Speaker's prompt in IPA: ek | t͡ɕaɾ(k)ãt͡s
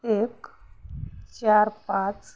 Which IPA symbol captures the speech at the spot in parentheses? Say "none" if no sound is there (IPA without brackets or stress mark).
p